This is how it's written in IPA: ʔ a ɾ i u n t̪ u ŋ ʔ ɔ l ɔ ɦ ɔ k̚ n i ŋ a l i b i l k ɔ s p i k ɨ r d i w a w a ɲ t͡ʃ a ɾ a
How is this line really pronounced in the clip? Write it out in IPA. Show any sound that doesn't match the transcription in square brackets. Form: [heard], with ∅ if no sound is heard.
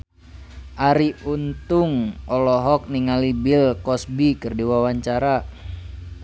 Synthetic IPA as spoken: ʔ a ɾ i u n t̪ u ŋ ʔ ɔ l ɔ ɦ ɔ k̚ n i ŋ a l i b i l k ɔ s [b] i k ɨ r d i w a w a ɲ t͡ʃ a ɾ a